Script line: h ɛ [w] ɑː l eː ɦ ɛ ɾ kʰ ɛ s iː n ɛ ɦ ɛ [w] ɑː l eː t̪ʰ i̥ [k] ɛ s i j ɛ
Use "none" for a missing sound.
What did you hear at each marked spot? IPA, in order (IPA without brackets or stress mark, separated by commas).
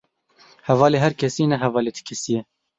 v, v, kʰ